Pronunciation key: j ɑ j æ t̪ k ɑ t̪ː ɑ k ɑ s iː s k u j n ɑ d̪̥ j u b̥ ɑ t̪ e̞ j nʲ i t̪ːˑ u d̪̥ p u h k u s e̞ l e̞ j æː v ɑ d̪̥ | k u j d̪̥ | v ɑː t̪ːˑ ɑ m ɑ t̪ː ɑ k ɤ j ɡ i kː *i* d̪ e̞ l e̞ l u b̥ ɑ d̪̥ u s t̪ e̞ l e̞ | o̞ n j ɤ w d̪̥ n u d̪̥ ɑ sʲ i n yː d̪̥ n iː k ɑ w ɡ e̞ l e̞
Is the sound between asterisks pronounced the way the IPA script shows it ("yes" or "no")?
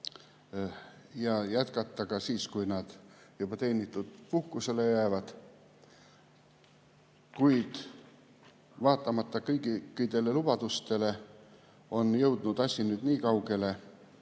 yes